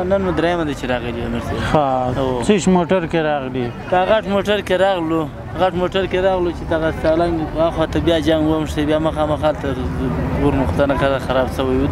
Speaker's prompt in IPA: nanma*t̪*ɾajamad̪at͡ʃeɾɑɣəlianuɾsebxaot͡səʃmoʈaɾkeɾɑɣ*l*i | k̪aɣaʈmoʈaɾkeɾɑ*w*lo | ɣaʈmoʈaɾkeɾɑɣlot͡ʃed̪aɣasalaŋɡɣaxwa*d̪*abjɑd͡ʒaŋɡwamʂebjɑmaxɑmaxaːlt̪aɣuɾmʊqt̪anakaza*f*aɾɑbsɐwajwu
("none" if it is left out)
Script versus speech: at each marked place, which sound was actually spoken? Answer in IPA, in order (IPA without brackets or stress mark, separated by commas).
d̪, l, ɣ, t̪, x